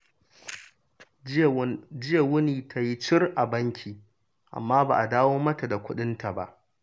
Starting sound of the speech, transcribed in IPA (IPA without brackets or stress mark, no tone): d͡ʒ